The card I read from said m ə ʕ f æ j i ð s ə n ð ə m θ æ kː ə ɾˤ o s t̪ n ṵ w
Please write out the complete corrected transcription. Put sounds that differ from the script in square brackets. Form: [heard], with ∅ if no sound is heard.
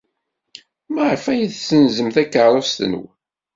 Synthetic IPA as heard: m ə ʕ f æ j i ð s ə n [z] ə m θ æ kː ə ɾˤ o s t̪ n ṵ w